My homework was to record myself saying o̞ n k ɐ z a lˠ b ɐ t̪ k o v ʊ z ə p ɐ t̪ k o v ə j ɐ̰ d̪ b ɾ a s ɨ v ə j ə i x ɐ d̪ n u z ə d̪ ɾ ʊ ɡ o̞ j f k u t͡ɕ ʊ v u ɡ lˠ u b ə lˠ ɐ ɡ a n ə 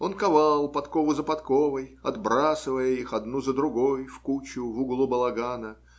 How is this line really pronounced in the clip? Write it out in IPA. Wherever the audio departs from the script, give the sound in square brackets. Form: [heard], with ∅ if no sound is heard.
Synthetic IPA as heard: o̞ n k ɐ [v] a lˠ [p] ɐ t̪ k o v ʊ z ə p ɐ t̪ k o v ə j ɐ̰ d̪ b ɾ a s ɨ v ə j ə i x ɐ d̪ n u z ə d̪ ɾ ʊ ɡ o̞ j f k u t͡ɕ ʊ v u ɡ lˠ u b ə lˠ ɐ ɡ a n ə